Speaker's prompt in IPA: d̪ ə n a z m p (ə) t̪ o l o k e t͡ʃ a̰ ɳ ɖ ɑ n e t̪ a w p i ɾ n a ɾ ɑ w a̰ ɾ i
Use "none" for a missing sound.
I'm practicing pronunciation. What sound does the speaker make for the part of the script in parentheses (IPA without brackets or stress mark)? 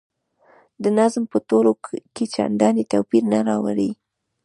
ə